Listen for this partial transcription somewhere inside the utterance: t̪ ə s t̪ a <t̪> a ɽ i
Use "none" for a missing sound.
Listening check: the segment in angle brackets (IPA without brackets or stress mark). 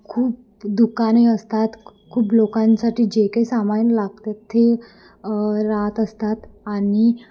t̪